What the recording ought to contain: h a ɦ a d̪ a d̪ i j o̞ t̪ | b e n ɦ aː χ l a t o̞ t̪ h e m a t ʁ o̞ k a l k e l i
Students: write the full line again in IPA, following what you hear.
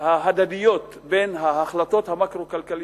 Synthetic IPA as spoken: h a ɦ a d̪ a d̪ i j o̞ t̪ | b e n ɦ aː χ l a t o̞ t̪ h a m a k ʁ o̞ k a l k a l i